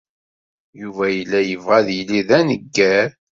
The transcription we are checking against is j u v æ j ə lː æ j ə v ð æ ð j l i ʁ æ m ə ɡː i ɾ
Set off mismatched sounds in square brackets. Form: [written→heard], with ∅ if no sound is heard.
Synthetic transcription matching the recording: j u v æ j ə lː æ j ə v [ð→ʁ] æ ð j l i [ʁ→ð] æ [m→n] ə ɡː [i→æ] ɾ